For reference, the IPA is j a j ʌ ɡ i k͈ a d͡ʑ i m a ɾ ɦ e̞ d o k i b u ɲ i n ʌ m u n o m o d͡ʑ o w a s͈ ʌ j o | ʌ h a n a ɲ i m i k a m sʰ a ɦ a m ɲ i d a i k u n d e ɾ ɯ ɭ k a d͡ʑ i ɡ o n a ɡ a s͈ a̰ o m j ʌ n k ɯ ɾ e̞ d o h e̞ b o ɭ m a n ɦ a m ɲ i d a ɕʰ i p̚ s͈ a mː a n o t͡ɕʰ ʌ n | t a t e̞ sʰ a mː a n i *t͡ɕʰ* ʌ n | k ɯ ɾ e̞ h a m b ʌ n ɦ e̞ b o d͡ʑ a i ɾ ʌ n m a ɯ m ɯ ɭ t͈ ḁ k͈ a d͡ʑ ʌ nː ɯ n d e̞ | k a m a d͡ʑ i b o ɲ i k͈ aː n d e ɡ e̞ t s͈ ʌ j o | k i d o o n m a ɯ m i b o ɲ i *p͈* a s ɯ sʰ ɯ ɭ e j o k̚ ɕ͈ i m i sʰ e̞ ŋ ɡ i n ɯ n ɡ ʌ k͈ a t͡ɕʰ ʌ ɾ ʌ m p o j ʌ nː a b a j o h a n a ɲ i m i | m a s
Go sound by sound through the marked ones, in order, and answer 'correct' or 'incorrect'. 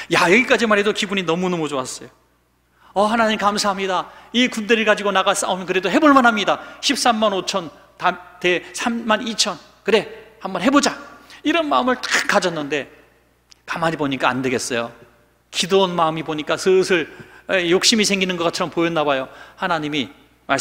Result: correct, incorrect

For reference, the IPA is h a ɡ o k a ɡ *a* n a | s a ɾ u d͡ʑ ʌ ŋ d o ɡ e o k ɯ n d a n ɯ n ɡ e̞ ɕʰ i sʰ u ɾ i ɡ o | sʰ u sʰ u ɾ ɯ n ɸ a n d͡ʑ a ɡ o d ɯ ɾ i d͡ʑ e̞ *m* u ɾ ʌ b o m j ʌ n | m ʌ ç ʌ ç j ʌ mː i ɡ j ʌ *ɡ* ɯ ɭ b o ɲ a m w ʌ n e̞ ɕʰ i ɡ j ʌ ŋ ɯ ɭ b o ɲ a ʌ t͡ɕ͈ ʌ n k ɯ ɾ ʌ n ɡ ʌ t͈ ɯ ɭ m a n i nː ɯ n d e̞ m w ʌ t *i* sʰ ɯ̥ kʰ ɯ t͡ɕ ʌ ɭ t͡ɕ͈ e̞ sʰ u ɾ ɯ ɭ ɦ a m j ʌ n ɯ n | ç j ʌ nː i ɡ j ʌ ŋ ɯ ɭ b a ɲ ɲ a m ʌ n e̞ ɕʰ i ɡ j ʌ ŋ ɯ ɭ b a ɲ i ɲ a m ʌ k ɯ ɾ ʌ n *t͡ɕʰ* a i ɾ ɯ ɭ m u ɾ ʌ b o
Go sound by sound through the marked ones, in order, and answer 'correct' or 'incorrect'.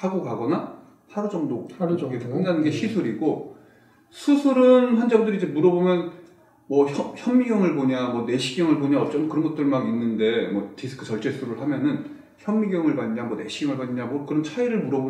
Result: incorrect, correct, incorrect, correct, correct

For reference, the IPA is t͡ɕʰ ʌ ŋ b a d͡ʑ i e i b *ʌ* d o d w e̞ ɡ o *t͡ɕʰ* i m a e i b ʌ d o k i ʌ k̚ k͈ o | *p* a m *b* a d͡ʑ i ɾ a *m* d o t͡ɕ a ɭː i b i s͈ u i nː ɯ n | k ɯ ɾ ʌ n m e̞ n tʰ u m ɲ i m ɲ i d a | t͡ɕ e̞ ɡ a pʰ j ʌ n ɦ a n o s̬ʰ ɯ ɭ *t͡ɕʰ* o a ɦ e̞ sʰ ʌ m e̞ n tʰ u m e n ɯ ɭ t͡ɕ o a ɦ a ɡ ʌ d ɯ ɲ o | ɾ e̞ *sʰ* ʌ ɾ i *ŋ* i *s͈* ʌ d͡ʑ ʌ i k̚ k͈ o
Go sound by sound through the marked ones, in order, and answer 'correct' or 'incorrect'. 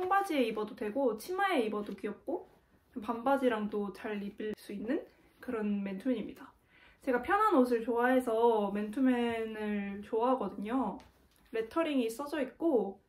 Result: correct, correct, correct, correct, incorrect, incorrect, incorrect, correct, correct

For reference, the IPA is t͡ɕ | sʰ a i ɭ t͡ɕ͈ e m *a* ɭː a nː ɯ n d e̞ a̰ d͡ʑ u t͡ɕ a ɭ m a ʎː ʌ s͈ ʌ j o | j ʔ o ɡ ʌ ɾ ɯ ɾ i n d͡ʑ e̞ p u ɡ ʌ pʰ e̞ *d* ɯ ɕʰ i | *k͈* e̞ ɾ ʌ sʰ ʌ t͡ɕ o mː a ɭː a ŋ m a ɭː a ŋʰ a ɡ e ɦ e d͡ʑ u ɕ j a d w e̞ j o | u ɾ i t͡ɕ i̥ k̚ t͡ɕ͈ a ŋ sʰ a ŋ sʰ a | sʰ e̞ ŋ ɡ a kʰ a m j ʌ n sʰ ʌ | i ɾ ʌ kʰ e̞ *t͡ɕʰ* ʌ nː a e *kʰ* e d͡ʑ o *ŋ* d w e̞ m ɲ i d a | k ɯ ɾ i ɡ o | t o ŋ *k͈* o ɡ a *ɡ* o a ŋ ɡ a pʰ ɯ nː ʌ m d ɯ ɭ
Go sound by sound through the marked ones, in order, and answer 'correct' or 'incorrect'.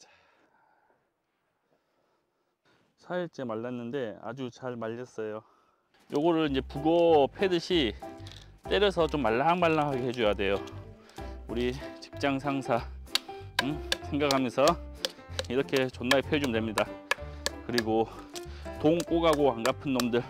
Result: correct, correct, incorrect, incorrect, incorrect, incorrect, correct, correct

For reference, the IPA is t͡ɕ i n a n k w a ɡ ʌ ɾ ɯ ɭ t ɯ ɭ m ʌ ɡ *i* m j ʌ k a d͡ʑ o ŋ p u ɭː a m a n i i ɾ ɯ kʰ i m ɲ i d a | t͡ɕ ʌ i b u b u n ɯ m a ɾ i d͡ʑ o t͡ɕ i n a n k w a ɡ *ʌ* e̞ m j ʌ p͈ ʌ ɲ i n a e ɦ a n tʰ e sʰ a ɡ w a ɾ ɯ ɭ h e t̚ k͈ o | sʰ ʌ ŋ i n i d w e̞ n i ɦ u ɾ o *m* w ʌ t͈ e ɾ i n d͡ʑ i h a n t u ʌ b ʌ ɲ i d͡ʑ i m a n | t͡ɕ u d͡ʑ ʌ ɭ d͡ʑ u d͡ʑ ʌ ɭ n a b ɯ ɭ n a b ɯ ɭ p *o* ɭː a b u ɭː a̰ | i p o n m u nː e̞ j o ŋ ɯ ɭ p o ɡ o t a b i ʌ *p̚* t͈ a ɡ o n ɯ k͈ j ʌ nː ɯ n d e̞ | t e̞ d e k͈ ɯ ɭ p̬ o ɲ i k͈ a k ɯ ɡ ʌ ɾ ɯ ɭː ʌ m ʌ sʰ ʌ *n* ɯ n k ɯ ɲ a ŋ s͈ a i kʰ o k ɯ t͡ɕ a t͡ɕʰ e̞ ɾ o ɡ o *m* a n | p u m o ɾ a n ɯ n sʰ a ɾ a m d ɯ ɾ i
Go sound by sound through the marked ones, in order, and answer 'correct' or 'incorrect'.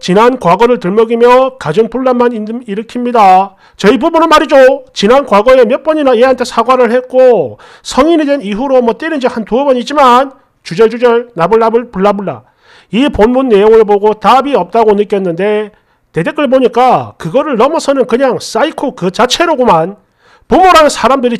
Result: correct, correct, correct, incorrect, correct, correct, correct

